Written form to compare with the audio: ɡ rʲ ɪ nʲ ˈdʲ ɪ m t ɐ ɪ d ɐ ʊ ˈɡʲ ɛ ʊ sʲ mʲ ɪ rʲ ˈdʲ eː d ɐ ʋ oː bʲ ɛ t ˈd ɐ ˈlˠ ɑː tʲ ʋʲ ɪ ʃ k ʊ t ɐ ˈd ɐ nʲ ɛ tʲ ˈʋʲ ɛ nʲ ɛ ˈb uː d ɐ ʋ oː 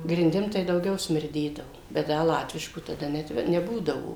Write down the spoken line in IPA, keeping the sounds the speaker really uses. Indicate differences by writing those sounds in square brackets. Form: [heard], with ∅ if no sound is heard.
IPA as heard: ɡ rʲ ɪ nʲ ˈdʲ ɪ m t ɐ ɪ d ɐ ʊ ˈɡʲ ɛ ʊ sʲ mʲ ɪ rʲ ˈdʲ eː d ɐ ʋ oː bʲ ɛ t ˈd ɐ ˈlˠ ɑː tʲ ʋʲ ɪ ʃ k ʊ t ɐ ˈd ɐ nʲ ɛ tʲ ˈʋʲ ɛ nʲ ɛ ˈb uː d ɐ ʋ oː